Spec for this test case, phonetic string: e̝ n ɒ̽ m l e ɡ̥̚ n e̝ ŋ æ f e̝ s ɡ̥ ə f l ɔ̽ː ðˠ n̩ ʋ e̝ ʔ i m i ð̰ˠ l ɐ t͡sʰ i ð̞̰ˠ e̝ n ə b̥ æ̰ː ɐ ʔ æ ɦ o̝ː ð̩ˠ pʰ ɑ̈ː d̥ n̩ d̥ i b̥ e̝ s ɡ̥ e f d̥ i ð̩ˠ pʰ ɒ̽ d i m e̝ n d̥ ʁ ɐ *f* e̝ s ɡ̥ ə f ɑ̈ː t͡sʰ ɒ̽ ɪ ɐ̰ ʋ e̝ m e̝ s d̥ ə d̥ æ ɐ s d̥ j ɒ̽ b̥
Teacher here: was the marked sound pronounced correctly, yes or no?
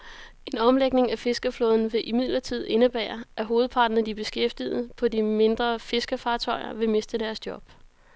yes